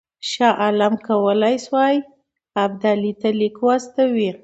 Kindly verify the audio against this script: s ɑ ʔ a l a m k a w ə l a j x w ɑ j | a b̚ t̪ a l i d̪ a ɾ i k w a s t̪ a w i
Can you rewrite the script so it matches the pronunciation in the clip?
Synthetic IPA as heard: ʃ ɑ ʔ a l a m k a w ə l a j s w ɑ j | a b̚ d̪ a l i t̪ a l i k w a s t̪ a w i

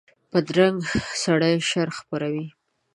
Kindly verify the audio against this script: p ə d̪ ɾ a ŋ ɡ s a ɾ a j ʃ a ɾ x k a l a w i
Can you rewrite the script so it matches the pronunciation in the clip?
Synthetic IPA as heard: p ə d̪ ɾ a ŋ ɡ s a ɽ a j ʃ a ɾ x p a ɾ a w i

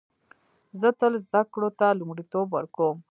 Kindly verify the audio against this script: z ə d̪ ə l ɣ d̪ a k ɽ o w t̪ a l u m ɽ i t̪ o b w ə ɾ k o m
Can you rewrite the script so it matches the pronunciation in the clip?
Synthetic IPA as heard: z ə t̪ ə l z d̪ a k ɽ o t̪ a l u m ɽ i t̪ o b w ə ɾ k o m

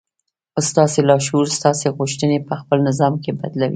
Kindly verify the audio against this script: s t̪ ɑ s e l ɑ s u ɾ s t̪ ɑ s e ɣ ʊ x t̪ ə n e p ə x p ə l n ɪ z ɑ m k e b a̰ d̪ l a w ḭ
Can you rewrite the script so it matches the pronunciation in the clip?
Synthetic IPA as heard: s t̪ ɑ s e l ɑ ʃ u ɾ s t̪ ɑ s e ɣ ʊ ʃ t̪ ə n e p ə x p ə l n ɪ z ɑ m k e b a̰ d̪ l a w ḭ

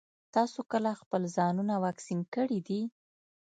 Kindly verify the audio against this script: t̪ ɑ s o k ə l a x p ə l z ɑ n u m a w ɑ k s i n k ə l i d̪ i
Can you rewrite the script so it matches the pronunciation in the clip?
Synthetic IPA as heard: t̪ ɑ s o k ə l a x p ə l z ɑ n u n a w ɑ k s i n k ə ɽ i d̪ i

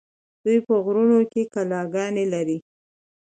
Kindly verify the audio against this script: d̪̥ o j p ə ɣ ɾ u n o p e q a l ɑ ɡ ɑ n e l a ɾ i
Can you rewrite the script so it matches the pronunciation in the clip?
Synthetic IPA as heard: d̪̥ u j p ə ɣ ɾ u n o k e k a l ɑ ɡ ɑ n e l a ɾ i

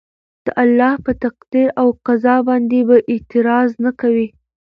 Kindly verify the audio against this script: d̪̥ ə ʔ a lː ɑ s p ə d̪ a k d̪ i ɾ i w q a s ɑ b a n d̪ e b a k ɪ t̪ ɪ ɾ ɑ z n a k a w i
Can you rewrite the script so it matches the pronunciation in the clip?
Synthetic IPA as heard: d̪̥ ə ʔ a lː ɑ h p ə t̪ a q d̪ i ɾ a w q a z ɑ b ɑ n d̪ e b a ʔ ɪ t̪ ɪ ɾ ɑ z n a k a w i

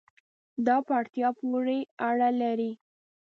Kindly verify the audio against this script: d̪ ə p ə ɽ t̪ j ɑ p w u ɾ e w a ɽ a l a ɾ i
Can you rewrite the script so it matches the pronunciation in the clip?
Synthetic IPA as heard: d̪ ɑ p a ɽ t̪ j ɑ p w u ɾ e a ɽ a l a ɾ i

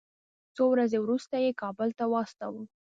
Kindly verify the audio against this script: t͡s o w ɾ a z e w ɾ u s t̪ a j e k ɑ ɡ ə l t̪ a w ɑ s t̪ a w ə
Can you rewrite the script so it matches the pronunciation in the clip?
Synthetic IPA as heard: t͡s o w ɾ a z e w ɾ u s t̪ a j e k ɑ b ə l t̪ a w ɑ s t̪ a w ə

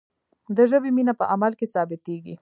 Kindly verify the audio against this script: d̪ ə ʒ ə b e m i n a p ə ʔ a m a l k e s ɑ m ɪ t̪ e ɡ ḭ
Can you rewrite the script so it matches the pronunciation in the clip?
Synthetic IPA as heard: d̪ ə ʒ ə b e m i n a p ə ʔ a m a l k e s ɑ b ɪ t̪ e ɡ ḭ

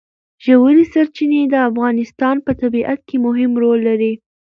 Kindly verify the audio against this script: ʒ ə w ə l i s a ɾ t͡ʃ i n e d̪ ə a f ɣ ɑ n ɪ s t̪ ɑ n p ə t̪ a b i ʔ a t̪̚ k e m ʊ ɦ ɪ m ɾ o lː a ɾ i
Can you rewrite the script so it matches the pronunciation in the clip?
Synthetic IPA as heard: ʒ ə w ə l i s a ɾ t͡ʃ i n e d̪ ə a f ɣ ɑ n ɪ s t̪ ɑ n p ə t̪ a b i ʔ a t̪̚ k e m ʊ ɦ ɪ m ɾ o lː a ɾ i

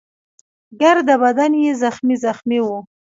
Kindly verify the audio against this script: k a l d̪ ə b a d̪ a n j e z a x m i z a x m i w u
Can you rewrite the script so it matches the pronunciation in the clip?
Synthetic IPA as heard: ɡ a ɾ d̪ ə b a d̪ a n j e z a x m i z a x m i w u

